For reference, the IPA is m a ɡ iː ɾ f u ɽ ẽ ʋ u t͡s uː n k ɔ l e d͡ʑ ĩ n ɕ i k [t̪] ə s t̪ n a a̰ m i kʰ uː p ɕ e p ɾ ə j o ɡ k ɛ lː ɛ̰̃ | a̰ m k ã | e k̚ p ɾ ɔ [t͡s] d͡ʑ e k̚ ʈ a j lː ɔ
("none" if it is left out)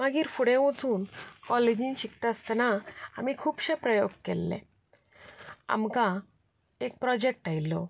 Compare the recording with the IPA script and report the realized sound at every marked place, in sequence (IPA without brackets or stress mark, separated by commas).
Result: t̪, none